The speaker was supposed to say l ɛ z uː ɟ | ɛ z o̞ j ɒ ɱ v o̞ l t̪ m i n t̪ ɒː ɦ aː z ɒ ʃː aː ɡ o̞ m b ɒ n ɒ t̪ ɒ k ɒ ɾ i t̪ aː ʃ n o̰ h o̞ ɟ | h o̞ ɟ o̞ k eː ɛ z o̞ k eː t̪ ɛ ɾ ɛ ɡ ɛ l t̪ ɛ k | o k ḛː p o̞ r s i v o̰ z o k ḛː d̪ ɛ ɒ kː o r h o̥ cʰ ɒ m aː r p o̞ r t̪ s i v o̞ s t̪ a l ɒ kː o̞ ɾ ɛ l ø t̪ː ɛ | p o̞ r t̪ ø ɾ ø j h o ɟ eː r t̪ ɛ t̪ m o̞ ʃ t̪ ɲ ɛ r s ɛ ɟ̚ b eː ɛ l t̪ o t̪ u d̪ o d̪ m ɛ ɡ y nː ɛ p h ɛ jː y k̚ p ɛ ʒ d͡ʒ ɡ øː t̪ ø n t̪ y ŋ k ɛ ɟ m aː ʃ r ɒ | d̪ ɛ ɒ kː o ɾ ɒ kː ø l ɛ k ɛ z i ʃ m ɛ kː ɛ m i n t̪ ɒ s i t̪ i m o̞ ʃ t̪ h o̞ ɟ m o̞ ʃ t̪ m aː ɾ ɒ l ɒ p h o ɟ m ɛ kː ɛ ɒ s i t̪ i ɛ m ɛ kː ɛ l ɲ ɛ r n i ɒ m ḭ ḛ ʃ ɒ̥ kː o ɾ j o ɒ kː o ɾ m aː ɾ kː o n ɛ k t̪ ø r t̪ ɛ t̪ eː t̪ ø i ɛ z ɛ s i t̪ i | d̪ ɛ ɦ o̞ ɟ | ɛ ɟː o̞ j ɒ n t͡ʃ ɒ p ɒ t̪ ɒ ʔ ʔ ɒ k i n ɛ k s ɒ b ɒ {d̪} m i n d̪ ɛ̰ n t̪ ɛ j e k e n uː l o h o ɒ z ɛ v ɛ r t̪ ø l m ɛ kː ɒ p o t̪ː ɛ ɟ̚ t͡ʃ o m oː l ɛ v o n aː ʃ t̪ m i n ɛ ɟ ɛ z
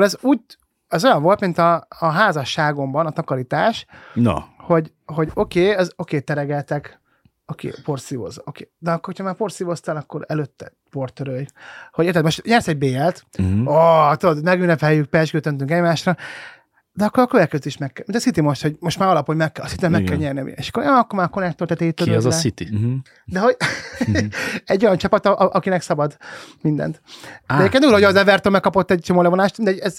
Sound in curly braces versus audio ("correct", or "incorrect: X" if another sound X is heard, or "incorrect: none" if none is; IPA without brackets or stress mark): correct